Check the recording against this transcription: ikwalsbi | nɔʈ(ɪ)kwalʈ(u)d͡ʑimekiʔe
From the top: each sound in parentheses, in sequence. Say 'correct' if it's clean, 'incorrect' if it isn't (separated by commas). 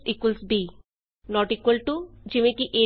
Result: incorrect, correct